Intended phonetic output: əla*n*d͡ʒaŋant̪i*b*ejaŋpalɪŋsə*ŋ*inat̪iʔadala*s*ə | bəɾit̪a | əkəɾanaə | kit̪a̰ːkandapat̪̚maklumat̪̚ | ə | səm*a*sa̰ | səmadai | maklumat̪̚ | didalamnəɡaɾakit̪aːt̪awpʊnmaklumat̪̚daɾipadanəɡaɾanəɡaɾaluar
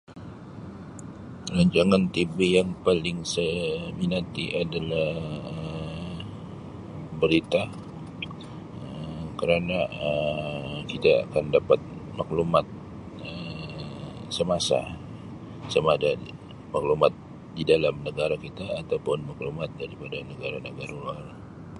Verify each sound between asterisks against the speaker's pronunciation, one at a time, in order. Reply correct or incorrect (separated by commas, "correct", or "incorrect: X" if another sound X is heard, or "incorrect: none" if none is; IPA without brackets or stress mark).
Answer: incorrect: ɲ, correct, incorrect: m, incorrect: h, correct